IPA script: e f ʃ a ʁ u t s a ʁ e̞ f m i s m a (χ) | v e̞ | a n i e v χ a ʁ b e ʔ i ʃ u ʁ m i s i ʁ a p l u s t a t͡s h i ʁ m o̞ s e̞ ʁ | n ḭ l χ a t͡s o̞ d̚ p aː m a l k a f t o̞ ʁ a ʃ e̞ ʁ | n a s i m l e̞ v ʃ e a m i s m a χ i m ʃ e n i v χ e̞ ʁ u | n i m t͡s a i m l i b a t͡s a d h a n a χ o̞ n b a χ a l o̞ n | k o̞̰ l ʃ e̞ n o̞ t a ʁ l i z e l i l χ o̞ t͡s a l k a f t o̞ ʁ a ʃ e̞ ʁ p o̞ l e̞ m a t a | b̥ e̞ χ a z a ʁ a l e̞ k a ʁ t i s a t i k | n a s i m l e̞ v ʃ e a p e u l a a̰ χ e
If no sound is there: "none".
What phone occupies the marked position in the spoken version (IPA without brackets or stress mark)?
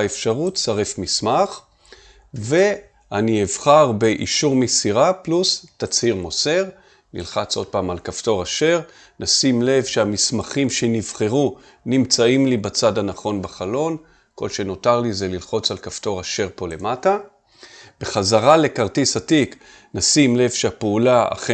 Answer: χ